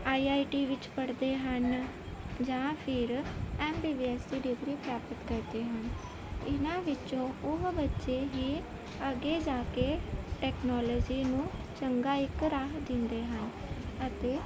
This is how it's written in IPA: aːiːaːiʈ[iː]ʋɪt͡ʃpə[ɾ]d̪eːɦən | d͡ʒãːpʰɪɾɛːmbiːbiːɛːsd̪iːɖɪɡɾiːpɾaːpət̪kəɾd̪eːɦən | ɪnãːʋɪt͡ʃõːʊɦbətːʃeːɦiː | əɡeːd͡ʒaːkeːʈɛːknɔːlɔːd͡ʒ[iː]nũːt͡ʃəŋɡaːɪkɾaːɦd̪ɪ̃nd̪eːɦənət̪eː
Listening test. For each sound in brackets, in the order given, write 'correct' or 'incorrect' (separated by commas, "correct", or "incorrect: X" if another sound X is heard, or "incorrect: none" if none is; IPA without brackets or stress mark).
correct, incorrect: ɽ, correct